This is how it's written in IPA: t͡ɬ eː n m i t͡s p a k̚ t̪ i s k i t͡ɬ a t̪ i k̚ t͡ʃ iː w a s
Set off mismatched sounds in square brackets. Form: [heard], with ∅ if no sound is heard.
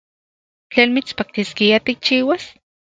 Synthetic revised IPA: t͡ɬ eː n m i t͡s p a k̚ t̪ i s k i [∅] a t̪ i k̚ t͡ʃ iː w a s